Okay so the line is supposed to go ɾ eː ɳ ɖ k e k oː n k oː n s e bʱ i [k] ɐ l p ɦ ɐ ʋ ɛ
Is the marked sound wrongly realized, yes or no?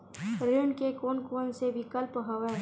no